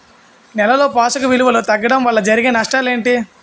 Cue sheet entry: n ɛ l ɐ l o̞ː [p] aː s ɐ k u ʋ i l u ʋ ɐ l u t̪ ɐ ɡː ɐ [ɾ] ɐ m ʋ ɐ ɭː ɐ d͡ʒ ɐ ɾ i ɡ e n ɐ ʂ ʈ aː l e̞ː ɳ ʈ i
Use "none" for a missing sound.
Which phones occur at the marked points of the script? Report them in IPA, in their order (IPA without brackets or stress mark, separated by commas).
p, ɽ